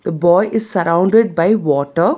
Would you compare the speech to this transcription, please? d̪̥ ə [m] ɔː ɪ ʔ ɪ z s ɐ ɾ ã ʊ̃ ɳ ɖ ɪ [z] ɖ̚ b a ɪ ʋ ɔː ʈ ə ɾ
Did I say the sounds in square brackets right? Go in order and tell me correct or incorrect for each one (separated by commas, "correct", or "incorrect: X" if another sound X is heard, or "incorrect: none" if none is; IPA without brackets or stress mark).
incorrect: b, incorrect: none